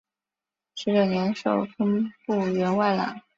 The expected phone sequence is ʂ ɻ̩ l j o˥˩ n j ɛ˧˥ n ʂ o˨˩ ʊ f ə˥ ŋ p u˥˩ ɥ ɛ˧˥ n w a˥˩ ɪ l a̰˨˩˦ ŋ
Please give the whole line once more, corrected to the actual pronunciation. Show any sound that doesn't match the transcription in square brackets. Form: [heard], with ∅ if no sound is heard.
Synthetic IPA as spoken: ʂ ɻ̩ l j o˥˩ n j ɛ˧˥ n ʂ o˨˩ ʊ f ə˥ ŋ p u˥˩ ɥ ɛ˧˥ n w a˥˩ ɪ l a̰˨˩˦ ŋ